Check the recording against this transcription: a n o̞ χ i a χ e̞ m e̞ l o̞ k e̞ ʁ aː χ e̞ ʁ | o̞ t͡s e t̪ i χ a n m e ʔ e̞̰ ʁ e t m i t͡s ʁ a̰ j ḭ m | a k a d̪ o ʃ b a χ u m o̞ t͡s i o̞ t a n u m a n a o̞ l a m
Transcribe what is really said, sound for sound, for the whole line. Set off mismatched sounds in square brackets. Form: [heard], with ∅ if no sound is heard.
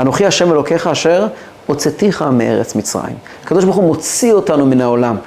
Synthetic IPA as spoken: a n o̞ χ i a [ʃ] e̞ m e̞ l o̞ k e̞ [χ] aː [ʃ] e̞ ʁ | o̞ t͡s e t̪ i χ a [∅] m e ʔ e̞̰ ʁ e [t͡s] m i t͡s ʁ a̰ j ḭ m | a k a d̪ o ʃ b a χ u m o̞ t͡s i o̞ t a n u m [i] n a o̞ l a m